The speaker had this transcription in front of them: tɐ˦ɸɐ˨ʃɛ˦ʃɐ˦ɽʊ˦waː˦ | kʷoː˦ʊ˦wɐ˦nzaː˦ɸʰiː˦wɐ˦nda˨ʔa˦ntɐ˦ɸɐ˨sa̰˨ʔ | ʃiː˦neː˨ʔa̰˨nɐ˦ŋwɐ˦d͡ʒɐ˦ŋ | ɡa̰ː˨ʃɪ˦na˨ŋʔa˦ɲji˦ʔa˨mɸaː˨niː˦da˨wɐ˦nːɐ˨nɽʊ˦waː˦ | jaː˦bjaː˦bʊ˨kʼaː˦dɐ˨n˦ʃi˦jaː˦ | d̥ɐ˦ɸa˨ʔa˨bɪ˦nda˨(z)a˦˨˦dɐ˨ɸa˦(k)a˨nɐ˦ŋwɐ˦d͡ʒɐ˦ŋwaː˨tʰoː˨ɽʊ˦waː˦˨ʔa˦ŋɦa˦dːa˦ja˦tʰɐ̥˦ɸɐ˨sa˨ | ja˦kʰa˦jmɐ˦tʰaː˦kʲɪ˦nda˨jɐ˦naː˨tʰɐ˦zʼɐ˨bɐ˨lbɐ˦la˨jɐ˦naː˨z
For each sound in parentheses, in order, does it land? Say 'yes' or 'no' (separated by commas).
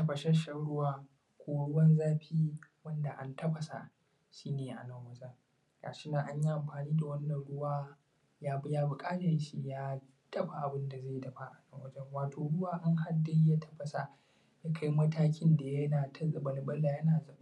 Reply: yes, no